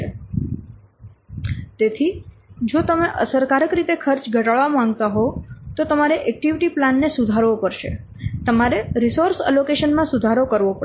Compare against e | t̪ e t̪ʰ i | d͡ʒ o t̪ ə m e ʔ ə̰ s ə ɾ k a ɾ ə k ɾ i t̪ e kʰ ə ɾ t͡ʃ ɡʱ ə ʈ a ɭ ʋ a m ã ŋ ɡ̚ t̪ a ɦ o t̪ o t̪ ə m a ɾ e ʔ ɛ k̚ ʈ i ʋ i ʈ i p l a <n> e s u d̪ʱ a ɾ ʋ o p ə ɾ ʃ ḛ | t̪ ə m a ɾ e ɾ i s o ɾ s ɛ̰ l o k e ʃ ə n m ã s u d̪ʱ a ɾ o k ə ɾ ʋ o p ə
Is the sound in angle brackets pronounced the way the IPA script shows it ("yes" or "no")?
no